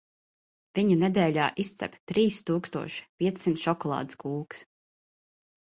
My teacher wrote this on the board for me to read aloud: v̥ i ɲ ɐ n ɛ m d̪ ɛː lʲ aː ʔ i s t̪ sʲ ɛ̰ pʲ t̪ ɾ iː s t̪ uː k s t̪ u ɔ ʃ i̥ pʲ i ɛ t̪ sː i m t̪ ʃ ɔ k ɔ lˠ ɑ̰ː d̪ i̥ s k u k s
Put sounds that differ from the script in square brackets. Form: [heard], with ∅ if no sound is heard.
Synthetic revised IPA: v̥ i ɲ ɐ n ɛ [∅] d̪ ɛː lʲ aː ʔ i s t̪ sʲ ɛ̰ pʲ t̪ ɾ iː s t̪ uː k s t̪ u ɔ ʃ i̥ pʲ i ɛ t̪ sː i m t̪ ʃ ɔ k ɔ lˠ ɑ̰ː d̪ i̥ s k [uː] k s